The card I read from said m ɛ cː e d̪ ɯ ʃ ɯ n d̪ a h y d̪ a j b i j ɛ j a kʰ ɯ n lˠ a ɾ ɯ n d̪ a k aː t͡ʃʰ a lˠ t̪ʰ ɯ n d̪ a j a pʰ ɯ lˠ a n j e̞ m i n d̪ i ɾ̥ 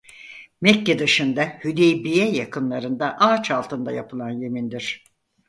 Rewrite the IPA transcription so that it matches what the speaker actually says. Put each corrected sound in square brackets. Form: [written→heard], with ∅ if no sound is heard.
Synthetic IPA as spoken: m ɛ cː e d̪ ɯ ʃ ɯ n d̪ a h y d̪ [a→e] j b i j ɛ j a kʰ ɯ n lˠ a ɾ ɯ n d̪ a [k→ʔ] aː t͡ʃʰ a lˠ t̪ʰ ɯ n d̪ a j a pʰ ɯ lˠ a n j e̞ m i n d̪ i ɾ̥